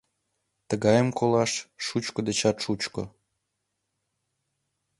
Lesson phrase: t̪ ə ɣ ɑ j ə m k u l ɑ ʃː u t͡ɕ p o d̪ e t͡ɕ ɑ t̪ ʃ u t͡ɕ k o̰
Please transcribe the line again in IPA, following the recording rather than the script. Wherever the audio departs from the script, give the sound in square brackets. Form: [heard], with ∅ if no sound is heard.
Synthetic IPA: t̪ ə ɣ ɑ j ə m k [o] l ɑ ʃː u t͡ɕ [k] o d̪ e t͡ɕ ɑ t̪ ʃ u t͡ɕ k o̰